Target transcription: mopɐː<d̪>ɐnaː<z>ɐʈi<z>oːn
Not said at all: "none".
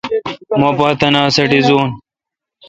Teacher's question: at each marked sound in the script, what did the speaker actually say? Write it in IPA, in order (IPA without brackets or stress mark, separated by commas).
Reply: t̪, s, z